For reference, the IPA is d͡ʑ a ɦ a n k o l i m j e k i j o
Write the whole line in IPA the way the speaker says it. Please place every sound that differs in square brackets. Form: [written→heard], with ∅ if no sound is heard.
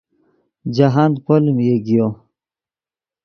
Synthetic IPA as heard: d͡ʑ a ɦ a n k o l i m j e [k→ɡ] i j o